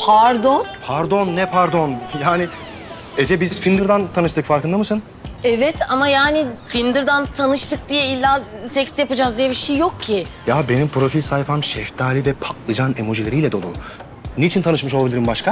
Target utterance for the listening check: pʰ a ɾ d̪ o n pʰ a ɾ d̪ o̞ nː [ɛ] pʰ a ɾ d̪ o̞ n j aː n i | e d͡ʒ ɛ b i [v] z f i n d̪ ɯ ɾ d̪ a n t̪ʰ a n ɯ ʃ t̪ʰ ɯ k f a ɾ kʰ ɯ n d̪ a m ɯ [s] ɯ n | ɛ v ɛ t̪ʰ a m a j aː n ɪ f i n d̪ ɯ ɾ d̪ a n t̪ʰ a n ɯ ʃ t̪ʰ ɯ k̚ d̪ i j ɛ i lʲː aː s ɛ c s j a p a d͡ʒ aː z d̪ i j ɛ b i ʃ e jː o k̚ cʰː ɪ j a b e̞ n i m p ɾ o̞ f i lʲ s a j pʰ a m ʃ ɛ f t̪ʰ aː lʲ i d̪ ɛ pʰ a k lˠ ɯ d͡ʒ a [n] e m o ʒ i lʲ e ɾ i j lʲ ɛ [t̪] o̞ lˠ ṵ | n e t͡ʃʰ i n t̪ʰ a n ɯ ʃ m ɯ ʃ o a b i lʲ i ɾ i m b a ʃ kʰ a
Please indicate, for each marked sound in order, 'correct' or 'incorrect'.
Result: correct, incorrect, correct, correct, incorrect

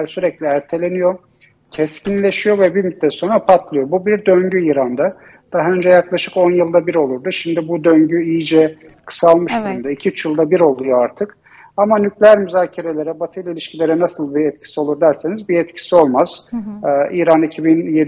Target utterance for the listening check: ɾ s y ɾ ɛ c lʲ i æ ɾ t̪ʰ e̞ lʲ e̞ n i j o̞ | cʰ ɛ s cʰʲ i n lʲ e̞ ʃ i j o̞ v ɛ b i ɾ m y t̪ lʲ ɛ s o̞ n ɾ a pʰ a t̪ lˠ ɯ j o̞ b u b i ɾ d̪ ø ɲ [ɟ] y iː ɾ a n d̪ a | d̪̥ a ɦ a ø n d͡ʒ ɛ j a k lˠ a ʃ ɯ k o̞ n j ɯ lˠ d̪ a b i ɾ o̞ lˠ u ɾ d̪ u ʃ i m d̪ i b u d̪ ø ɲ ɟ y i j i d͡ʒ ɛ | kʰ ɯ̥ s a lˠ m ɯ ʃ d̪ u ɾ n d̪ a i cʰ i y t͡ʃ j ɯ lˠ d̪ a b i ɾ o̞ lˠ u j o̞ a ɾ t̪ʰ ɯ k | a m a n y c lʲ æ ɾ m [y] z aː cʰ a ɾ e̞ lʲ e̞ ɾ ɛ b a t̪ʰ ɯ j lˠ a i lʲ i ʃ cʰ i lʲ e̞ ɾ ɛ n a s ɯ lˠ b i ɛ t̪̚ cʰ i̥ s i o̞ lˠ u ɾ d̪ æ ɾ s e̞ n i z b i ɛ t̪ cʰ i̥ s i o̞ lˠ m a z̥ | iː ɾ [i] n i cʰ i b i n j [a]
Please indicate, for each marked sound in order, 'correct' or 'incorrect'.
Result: correct, correct, incorrect, incorrect

